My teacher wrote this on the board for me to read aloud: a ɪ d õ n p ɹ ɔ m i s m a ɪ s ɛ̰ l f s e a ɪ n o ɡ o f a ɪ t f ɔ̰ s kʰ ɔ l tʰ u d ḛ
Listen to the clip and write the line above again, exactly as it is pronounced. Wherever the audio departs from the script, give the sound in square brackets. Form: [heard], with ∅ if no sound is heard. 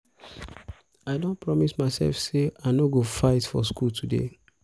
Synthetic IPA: a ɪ d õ n p ɹ ɔ m i s m a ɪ s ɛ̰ l f s e a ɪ n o ɡ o f a ɪ t f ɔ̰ s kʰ [u] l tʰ u d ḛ